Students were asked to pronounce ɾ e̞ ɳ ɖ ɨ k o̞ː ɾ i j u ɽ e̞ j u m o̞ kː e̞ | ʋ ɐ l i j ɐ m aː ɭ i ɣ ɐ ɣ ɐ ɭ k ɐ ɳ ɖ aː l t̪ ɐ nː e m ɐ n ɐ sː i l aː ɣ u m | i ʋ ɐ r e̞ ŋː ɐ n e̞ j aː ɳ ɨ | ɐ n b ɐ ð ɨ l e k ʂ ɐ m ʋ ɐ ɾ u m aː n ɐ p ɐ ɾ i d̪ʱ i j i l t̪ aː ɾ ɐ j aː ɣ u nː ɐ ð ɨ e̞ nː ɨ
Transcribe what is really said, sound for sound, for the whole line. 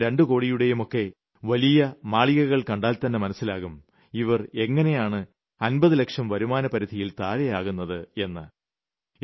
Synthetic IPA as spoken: ɾ e̞ ɳ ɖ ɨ k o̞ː ɽ i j u ɽ e̞ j u m o̞ kː e̞ | ʋ ɐ l i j ɐ m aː ɭ i ɣ ɐ ɣ ɐ ɭ k ɐ ɳ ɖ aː l t̪ ɐ nː e m ɐ n ɐ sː i l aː ɣ u m | i ʋ ɐ r e̞ ŋː ɐ n e̞ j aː ɳ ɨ | ɐ n b ɐ ð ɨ l e k ʂ ɐ m ʋ ɐ ɾ u m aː n ɐ p ɐ ɾ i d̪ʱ i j i l t̪ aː ɾ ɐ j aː ɣ u nː ɐ ð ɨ e̞ nː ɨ

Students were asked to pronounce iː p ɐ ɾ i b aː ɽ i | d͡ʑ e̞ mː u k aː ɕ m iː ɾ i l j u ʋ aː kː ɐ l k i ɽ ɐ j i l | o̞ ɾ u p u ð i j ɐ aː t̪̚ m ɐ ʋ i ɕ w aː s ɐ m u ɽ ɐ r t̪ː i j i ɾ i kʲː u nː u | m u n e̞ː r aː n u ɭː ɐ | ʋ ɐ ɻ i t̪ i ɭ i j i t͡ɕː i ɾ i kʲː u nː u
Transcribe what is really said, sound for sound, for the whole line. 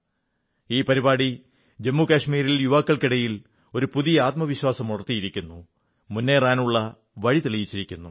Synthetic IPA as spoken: iː p ɐ ɾ i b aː ɽ i | d͡ʑ e̞ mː u k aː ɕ m iː ɾ i l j u ʋ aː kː ɐ ɭ k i ɽ ɐ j i l | o̞ ɾ u p u ð i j ɐ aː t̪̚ m ɐ ʋ i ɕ w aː s ɐ m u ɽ ɐ r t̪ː i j i ɾ i kʲː u nː u | m u nː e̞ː r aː n u ɭː ɐ | ʋ ɐ ɻ i t̪ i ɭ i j i t͡ɕː i ɾ i kʲː u nː u

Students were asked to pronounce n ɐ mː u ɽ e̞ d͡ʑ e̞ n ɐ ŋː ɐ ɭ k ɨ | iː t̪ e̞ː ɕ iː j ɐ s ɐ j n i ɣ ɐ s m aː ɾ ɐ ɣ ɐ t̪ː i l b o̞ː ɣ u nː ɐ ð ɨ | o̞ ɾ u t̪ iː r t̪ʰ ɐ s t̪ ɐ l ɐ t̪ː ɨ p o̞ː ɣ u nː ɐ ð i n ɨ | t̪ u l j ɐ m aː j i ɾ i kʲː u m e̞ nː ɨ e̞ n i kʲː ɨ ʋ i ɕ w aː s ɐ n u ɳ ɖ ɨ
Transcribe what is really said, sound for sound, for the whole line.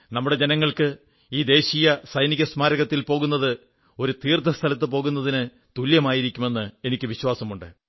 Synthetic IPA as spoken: n ɐ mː u ɽ e̞ d͡ʑ e̞ n ɐ ŋː ɐ ɭ k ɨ | iː d̪ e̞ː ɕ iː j ɐ s ɐ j n i ɣ ɐ s m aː ɾ ɐ ɣ ɐ t̪ː i l p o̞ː ɣ u nː ɐ ð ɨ | o̞ ɾ u t̪ iː r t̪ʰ ɐ s t̪ʰ ɐ l ɐ t̪ː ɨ p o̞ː ɣ u nː ɐ ð i n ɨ | t̪ u l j ɐ m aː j i ɾ i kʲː u m e̞ nː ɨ e̞ n i kʲː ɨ ʋ i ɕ w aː s ɐ m u ɳ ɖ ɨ

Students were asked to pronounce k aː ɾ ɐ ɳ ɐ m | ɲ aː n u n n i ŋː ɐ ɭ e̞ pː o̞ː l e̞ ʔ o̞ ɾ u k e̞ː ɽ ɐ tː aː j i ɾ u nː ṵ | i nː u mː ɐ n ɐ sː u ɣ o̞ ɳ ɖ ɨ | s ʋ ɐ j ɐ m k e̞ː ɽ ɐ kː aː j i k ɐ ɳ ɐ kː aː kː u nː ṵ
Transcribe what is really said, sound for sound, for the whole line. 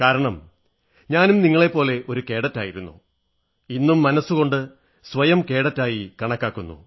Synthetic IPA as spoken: k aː ɾ ɐ ɳ ɐ m | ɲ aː n u m n i ŋː ɐ ɭ e̞ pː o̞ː l e̞ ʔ o̞ ɾ u k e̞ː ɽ ɐ tː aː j i ɾ u nː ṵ | i nː u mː ɐ n ɐ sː u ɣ o̞ ɳ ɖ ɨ | s ʋ ɐ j ɐ m k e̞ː ɽ ɐ tː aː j i k ɐ ɳ ɐ kː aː kː u nː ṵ

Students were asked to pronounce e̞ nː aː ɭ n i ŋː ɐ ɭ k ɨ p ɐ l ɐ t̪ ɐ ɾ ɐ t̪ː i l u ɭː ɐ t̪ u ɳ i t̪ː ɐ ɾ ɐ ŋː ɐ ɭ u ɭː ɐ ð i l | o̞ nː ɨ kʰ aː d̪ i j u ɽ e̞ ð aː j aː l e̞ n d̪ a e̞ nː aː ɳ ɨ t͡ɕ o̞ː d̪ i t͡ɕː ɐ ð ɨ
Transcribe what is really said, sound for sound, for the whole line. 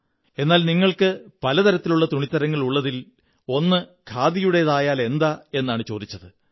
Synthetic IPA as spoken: e̞ nː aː l n i ŋː ɐ ɭ k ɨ p ɐ l ɐ t̪ ɐ ɾ ɐ t̪ː i l u ɭː ɐ t̪ u ɳ i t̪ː ɐ ɾ ɐ ŋː ɐ ɭ u ɭː ɐ ð i l | o̞ nː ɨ kʰ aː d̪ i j u ɽ e̞ ð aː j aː l e̞ n d̪ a e̞ nː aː ɳ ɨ t͡ɕ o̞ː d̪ i t͡ɕː ɐ ð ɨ

